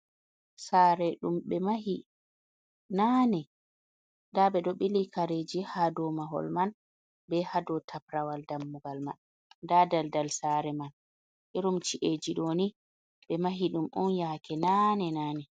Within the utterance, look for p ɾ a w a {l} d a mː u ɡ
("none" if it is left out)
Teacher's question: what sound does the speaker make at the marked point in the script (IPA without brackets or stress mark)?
l